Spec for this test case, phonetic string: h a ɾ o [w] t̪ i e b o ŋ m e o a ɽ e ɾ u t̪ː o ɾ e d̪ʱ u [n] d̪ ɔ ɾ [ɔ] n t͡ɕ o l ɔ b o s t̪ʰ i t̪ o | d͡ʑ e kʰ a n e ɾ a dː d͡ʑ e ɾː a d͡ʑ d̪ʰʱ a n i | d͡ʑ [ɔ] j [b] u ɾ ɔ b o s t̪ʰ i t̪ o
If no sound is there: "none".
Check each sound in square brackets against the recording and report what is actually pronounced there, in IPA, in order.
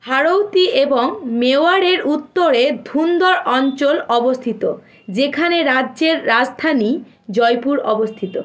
w, n, ɔ, ɔ, p

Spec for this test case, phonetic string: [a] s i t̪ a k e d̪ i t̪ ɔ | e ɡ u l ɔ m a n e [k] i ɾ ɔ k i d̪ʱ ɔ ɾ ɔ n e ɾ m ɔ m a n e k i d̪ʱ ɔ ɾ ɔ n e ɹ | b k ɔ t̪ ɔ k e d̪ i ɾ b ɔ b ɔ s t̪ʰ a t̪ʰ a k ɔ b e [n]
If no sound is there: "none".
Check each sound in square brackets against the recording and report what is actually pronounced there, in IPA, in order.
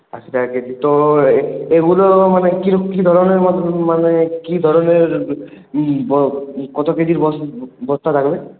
a, k, none

